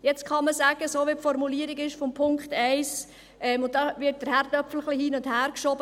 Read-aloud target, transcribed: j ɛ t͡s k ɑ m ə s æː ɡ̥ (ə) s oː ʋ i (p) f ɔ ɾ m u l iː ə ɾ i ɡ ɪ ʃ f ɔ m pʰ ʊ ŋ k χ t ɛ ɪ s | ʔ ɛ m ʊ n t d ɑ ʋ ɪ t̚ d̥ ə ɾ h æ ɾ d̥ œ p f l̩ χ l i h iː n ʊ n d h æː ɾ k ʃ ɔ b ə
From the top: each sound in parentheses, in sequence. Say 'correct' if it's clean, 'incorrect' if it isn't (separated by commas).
correct, correct